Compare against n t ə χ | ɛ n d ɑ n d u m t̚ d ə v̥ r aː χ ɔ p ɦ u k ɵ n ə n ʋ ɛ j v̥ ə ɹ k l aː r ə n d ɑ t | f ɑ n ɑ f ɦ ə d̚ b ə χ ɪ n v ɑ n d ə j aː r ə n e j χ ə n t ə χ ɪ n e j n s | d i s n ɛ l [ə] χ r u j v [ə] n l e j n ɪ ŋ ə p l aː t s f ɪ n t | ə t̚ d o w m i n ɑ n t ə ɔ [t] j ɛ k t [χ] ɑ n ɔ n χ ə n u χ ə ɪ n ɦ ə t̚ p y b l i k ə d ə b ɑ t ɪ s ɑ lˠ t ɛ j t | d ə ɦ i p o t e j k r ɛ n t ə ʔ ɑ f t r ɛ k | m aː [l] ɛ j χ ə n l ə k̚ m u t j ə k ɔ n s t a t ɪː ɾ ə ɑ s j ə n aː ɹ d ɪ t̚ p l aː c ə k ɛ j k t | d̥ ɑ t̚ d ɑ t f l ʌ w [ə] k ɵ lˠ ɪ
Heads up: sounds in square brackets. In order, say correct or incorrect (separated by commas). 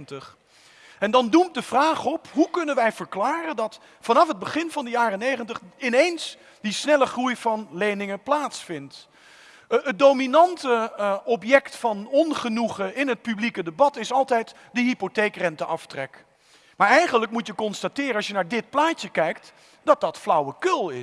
correct, incorrect, incorrect, incorrect, incorrect, correct